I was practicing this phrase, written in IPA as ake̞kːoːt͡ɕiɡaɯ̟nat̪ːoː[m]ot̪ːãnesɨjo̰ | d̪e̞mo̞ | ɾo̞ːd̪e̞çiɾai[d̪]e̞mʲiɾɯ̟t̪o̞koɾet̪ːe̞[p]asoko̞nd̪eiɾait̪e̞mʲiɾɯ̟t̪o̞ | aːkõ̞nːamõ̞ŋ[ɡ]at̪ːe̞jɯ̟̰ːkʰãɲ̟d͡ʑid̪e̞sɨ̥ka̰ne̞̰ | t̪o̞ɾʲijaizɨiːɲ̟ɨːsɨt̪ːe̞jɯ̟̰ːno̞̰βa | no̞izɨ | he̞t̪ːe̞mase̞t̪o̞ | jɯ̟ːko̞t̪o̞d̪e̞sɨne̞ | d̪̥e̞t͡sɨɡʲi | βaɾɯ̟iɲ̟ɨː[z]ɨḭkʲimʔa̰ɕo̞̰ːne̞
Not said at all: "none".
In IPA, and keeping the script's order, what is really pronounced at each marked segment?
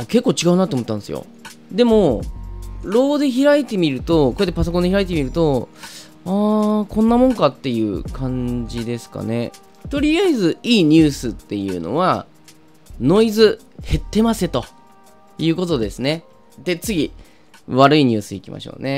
m, t̪, p, k, s

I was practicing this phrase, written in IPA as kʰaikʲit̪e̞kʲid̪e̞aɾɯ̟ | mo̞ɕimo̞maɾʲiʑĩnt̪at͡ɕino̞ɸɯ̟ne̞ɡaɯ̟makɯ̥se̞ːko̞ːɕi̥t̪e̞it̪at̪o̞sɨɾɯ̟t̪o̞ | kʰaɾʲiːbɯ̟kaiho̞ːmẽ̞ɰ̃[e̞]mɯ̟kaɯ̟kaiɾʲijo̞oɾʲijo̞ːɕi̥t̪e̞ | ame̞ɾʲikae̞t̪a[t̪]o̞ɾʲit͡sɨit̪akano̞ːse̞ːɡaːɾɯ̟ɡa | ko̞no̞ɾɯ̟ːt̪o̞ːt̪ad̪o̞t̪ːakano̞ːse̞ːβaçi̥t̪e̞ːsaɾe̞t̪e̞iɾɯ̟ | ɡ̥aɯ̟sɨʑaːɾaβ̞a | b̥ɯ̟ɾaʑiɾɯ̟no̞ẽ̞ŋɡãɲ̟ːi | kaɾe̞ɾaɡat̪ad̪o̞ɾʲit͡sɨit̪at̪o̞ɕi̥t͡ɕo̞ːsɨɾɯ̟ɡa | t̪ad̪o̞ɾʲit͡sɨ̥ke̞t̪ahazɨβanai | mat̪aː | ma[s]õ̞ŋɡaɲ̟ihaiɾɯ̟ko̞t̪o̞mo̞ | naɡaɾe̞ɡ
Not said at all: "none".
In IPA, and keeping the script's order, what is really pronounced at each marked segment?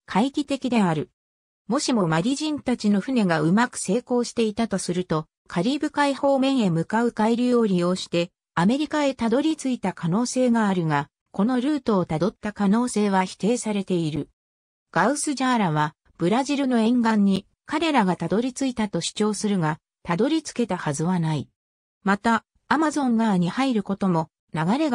e̞, d̪, z

